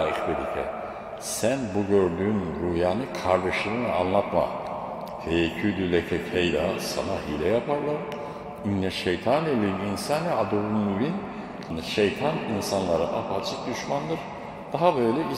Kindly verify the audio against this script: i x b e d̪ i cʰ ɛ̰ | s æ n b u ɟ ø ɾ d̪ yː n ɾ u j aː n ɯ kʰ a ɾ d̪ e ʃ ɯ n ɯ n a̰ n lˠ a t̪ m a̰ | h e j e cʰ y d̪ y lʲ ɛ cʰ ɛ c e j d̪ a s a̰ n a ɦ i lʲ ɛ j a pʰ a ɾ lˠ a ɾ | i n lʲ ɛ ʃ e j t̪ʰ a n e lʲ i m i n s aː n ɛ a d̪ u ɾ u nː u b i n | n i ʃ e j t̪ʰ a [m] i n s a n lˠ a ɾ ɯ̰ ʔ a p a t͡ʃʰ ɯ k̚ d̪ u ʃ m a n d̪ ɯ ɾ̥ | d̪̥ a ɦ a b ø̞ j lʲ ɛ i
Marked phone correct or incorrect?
incorrect